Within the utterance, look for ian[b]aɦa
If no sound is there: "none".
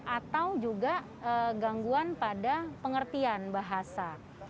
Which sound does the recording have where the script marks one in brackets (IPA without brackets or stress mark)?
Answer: b